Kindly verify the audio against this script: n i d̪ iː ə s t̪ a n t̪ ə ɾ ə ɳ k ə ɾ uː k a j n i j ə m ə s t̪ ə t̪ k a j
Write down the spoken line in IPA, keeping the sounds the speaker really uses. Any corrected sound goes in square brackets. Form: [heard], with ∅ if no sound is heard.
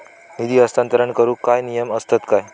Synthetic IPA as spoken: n i d̪ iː ə s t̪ a n t̪ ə ɾ ə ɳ k ə ɾ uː k a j n i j ə m ə s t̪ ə t̪ k a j